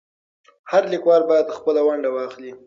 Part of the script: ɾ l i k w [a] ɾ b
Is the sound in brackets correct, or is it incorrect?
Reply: incorrect: ɑ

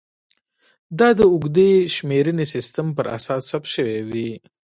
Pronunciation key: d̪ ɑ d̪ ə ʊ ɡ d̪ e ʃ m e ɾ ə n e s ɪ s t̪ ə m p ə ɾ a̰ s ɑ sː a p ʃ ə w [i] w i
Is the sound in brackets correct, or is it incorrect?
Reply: incorrect: e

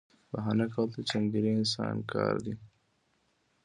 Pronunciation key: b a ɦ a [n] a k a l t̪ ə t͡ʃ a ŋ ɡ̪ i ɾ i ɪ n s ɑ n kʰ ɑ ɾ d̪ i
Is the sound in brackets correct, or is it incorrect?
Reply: correct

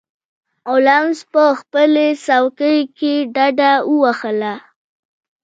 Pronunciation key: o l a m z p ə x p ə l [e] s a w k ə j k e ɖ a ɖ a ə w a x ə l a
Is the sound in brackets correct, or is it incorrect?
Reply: correct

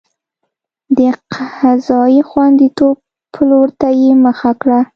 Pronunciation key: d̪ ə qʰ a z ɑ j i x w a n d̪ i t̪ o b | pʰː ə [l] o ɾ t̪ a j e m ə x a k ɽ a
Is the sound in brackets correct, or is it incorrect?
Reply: correct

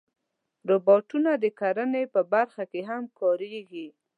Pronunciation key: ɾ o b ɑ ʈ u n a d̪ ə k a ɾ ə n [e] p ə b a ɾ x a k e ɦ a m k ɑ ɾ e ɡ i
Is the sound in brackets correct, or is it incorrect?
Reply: correct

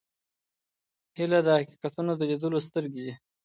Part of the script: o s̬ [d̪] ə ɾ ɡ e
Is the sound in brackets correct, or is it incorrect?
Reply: incorrect: t̪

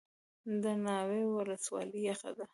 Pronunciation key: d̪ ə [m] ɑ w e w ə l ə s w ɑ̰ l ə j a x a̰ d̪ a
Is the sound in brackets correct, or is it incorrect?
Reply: incorrect: n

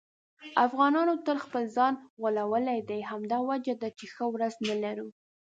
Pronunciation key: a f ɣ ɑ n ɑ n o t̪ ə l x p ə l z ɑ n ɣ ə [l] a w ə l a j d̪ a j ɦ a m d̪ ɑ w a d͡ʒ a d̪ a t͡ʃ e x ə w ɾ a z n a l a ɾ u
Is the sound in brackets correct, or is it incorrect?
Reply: correct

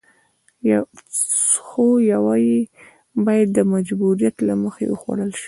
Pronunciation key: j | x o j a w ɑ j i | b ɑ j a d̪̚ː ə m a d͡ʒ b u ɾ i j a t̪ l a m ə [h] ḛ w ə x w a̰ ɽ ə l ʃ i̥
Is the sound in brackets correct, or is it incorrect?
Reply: incorrect: x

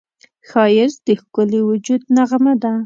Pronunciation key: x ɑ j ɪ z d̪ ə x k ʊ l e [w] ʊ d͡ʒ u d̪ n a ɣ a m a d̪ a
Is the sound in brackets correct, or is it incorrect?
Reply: correct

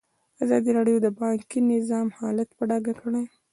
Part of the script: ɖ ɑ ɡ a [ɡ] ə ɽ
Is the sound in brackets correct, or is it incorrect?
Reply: incorrect: k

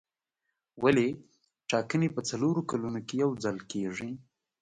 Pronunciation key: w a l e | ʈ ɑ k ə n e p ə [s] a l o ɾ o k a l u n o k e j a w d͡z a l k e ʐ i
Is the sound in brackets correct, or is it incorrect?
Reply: incorrect: t͡s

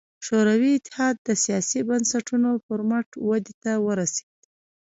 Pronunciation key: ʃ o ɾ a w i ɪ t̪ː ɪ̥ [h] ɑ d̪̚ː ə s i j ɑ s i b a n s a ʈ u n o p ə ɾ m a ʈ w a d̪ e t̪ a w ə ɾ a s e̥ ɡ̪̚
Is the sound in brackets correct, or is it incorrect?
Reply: correct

